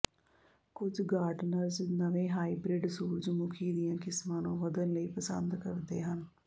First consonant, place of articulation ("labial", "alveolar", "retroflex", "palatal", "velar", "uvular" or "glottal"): velar